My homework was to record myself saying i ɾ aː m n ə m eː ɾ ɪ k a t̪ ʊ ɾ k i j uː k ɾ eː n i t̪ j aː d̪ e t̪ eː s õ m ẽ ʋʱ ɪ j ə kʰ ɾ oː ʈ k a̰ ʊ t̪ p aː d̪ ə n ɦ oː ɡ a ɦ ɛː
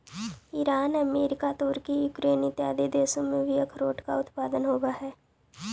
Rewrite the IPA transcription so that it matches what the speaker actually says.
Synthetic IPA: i ɾ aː n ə m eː ɾ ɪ k a t̪ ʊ ɾ k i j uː k ɾ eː n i t̪ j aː d̪ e d̪ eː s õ m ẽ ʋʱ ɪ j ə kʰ ɾ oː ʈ k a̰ ʊ t̪ p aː d̪ ə n ɦ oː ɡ a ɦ ɛː